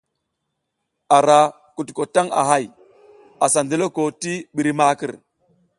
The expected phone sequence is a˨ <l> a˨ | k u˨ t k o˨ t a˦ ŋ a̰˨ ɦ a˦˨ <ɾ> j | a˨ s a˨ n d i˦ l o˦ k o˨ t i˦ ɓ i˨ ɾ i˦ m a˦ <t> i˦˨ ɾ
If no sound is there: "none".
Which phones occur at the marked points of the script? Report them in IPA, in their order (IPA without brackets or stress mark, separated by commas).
ɾ, none, k